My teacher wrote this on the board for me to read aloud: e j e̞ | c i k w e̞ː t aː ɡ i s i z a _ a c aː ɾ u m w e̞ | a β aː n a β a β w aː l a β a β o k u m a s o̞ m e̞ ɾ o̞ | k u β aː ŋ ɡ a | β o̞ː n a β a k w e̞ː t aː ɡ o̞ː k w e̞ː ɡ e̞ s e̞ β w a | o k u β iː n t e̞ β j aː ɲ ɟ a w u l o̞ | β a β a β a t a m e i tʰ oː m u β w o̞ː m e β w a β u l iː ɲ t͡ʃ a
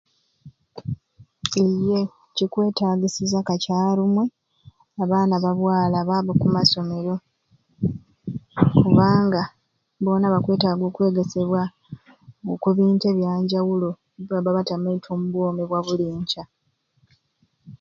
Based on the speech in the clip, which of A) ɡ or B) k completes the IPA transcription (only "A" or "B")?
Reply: B